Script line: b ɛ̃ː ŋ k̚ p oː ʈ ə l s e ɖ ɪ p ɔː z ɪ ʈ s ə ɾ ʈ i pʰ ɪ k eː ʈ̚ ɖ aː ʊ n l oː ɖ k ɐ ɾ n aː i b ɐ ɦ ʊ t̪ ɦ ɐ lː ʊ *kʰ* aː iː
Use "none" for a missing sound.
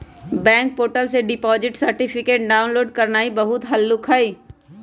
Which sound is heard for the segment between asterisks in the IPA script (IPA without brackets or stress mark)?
kʰ